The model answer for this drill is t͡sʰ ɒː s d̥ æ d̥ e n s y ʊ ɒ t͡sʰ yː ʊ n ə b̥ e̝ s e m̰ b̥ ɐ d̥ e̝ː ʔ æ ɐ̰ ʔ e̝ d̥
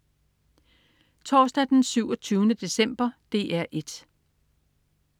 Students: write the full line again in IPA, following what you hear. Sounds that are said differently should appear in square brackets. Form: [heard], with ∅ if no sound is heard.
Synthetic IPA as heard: t͡sʰ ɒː s d̥ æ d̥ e n s y ʊ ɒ t͡sʰ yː ʊ n ə [d̥] e̝ s e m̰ b̥ ɐ d̥ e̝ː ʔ æ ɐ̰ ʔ e̝ d̥

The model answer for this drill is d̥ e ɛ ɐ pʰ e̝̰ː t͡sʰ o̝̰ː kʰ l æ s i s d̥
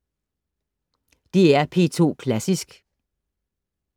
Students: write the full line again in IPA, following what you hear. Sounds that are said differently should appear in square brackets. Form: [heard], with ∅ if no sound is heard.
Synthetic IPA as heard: d̥ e [æ] ɐ pʰ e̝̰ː t͡sʰ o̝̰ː kʰ l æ s i s [ɡ̥]

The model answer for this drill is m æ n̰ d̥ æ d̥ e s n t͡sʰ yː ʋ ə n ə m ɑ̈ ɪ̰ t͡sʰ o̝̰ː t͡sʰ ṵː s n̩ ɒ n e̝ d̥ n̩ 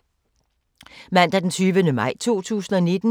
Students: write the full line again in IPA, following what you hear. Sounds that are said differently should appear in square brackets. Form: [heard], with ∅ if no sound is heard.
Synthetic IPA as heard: m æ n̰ d̥ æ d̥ e [∅] n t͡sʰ yː ʋ ə n ə m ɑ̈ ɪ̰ t͡sʰ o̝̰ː t͡sʰ ṵː s n̩ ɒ n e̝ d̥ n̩

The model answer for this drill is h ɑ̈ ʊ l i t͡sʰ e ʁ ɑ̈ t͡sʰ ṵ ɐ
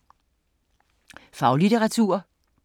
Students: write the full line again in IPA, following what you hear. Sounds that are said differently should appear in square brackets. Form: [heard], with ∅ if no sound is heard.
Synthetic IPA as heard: [f] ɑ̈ ʊ l i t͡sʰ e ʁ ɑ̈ t͡sʰ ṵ ɐ

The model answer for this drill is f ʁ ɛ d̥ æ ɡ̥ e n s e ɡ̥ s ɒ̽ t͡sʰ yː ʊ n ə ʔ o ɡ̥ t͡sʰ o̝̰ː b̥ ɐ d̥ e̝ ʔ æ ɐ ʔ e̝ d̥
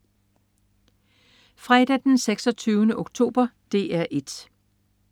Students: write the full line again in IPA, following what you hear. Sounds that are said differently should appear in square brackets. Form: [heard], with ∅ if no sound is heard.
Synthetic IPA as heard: f ʁ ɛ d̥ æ [d̥] e n s e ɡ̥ s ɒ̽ t͡sʰ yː ʊ n ə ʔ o ɡ̥ t͡sʰ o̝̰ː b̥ ɐ d̥ e̝ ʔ æ ɐ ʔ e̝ d̥

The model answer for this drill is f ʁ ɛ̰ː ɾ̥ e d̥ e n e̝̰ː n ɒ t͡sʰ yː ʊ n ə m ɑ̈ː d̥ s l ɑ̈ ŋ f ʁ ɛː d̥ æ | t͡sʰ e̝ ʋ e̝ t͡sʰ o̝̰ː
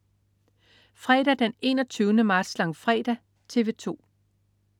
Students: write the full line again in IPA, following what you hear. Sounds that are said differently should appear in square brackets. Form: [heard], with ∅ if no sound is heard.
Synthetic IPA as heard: f ʁ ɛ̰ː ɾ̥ [æ] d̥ e n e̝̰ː n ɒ t͡sʰ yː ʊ n ə m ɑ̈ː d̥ s l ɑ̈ ŋ f ʁ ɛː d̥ æ | t͡sʰ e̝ ʋ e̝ t͡sʰ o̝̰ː

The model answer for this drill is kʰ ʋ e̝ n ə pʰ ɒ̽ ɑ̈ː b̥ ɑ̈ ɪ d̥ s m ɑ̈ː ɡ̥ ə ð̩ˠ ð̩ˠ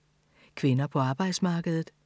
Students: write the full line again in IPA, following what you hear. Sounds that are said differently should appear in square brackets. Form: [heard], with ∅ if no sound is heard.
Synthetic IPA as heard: kʰ ʋ e̝ n [ɐ] pʰ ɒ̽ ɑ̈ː b̥ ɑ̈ ɪ d̥ s m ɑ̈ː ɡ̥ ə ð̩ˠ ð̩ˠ

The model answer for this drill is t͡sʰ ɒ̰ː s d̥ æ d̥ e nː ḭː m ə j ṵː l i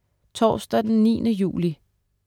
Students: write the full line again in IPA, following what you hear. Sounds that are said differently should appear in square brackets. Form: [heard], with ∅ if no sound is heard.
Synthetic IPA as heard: t͡sʰ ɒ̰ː s d̥ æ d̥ e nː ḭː [n] ə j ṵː l i

